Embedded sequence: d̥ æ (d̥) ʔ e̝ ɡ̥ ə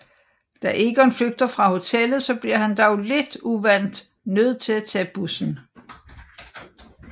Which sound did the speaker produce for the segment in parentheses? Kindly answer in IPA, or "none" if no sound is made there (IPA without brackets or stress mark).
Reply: none